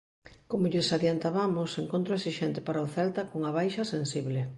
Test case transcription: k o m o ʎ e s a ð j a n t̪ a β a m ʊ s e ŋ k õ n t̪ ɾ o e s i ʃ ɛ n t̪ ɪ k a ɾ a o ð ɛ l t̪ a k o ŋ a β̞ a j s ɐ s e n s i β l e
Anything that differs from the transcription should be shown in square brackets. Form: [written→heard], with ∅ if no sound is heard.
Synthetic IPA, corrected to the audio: k o m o ʎ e s a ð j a n t̪ a β a m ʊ s e ŋ k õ n t̪ ɾ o e s i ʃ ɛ n t̪ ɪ [k→p] a ɾ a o [ð→θ] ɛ l t̪ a k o ŋ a β̞ a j [s→ʃ] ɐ s e n s i β l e